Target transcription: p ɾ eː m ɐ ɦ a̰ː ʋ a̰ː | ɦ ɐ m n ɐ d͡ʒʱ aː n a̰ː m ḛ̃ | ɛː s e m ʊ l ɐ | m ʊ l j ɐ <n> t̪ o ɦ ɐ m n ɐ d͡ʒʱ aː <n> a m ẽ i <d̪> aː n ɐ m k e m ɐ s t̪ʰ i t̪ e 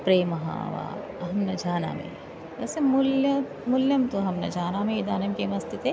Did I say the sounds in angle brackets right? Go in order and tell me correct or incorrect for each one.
incorrect: m, correct, correct

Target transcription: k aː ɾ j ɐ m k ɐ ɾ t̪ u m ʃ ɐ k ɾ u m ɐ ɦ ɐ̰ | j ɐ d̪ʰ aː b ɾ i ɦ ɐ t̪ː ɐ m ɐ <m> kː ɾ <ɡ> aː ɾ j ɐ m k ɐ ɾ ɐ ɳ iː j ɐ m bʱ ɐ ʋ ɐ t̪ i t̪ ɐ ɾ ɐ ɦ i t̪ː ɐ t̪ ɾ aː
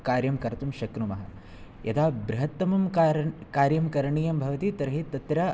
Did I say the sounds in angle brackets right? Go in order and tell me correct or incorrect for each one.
correct, incorrect: k

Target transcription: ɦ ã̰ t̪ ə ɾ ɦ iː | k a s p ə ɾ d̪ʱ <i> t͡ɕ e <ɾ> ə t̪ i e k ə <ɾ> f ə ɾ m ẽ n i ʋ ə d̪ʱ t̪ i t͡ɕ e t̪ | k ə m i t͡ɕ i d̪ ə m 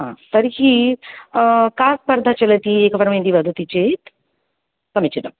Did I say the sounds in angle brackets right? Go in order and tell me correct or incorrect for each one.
incorrect: a, incorrect: l, incorrect: none

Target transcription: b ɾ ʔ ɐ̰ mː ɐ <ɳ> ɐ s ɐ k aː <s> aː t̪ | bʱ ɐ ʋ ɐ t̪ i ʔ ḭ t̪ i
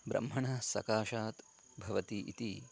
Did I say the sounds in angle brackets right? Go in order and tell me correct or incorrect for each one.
correct, incorrect: ʃ

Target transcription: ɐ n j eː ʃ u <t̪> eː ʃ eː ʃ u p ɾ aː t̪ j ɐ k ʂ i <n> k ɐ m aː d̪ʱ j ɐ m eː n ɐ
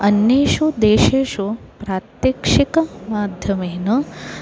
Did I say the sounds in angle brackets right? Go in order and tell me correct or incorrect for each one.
incorrect: d̪, incorrect: none

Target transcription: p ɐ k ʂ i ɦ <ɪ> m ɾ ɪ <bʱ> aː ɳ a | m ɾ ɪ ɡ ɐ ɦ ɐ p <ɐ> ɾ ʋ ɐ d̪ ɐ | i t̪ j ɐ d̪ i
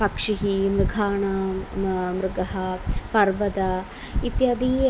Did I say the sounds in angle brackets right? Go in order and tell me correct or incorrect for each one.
incorrect: i, incorrect: ɡʱ, correct

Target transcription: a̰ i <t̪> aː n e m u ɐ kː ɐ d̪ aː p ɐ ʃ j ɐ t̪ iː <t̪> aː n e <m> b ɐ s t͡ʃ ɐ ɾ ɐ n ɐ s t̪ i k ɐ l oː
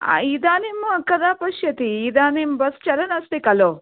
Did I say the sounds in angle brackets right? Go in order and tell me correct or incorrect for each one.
incorrect: d̪, incorrect: d̪, correct

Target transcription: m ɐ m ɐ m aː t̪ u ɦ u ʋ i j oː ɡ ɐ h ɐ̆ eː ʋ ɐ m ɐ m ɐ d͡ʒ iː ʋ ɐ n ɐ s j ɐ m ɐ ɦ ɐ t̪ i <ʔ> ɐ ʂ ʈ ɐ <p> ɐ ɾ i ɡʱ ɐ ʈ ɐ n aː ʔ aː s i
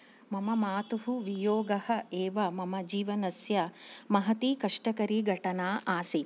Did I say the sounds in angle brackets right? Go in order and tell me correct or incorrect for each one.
incorrect: k, incorrect: k

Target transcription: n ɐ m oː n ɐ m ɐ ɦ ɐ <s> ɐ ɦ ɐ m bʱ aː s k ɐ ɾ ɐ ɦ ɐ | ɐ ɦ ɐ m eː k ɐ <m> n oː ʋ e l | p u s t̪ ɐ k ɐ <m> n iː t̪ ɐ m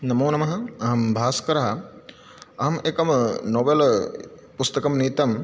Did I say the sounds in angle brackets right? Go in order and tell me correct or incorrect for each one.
incorrect: none, correct, correct

